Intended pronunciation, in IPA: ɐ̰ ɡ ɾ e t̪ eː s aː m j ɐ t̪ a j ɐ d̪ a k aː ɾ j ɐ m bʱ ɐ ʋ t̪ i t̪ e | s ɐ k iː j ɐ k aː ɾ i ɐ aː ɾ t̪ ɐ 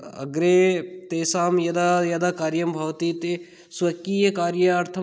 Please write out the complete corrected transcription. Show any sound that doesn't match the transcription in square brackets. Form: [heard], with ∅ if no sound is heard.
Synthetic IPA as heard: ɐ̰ ɡ ɾ e t̪ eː s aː m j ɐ [d̪] a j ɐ d̪ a k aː ɾ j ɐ m bʱ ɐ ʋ t̪ i t̪ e | s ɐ k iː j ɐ k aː ɾ [j] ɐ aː ɾ [t̪ʰ] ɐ